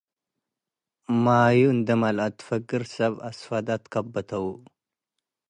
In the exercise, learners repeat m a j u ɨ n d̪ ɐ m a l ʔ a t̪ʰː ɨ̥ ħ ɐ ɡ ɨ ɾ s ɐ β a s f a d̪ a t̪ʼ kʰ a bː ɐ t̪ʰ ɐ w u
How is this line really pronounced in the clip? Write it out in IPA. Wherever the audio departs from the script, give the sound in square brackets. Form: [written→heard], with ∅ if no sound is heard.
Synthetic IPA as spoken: m a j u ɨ n d̪ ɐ m a l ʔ a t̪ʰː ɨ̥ [ħ→f] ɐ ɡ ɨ ɾ s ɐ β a s f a d̪ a [t̪ʼ→t̪] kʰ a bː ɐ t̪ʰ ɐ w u